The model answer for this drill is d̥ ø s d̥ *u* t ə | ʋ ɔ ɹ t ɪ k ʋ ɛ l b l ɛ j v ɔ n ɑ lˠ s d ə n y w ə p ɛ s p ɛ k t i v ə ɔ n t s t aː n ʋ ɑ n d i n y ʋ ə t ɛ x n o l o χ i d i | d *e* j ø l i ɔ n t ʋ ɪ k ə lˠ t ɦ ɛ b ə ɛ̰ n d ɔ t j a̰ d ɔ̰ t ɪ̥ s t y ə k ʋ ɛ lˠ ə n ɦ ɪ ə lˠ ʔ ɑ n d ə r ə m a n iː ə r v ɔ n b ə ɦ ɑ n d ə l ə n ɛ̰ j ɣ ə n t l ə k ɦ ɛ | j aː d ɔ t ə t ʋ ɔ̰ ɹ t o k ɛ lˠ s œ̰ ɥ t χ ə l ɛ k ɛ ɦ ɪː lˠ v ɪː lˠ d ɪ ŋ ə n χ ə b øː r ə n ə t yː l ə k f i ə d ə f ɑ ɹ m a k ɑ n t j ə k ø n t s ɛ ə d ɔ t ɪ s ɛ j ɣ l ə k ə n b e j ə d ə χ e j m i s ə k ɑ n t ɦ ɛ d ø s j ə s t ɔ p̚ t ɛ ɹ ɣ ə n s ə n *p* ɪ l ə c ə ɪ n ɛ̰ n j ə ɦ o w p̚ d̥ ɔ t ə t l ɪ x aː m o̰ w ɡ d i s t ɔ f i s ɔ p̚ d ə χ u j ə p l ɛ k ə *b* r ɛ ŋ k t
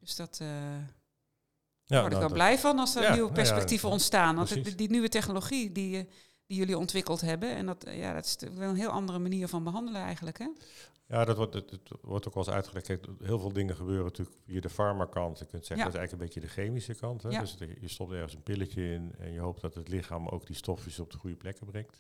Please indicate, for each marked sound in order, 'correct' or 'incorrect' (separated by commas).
incorrect, incorrect, correct, correct